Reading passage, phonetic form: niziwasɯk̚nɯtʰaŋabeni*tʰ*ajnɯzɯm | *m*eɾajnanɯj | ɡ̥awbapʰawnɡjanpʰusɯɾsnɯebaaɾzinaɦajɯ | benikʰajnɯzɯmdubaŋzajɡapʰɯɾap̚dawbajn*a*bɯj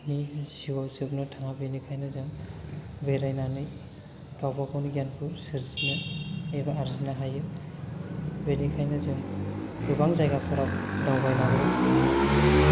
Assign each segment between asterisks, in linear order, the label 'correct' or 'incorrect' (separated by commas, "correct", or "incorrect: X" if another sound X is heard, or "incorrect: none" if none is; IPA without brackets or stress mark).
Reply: incorrect: kʰ, incorrect: b, correct